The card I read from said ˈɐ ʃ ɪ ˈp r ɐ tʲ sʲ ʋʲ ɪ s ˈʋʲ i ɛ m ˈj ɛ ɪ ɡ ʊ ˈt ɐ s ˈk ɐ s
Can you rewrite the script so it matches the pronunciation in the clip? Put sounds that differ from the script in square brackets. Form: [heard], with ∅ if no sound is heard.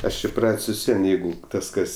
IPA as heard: ˈɐ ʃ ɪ ˈp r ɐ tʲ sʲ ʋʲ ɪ s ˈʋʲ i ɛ [n] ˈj ɛ ɪ ɡ ʊ ˈt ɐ s ˈk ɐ s